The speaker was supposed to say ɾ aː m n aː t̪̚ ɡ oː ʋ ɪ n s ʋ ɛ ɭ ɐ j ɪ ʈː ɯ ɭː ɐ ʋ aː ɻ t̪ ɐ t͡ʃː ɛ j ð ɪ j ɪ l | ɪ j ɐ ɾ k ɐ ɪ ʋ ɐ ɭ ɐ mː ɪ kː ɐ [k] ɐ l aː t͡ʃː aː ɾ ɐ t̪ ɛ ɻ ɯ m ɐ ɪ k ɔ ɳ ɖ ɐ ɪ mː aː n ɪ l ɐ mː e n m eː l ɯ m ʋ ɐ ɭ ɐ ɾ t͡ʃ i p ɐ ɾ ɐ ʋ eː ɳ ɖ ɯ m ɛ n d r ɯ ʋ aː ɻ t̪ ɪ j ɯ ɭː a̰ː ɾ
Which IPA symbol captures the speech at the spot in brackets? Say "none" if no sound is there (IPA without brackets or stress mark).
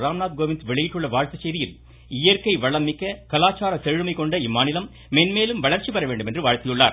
k